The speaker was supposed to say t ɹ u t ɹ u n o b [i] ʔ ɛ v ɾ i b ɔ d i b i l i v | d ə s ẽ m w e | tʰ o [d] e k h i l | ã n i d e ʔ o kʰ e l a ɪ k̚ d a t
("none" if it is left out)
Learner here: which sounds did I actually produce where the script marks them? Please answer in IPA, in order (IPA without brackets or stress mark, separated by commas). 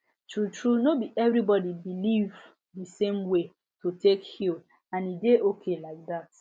i, t